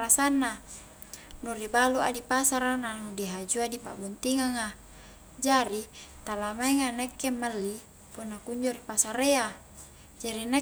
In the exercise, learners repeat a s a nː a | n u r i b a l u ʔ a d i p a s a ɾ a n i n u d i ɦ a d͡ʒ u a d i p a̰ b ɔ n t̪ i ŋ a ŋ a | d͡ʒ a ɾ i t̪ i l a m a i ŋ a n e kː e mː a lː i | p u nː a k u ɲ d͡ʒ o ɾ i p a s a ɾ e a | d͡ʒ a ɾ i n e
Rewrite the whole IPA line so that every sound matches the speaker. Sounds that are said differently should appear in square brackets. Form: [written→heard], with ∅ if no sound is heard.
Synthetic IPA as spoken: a s a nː a | n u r i b a l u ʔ a d i p a s a ɾ a n [i→a] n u d i ɦ a d͡ʒ u a d i p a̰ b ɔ n t̪ i ŋ a ŋ a | d͡ʒ a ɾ i t̪ [i→a] l a m a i ŋ a n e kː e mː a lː i | p u nː a k u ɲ d͡ʒ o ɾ i p a s a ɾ e a | d͡ʒ a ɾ i n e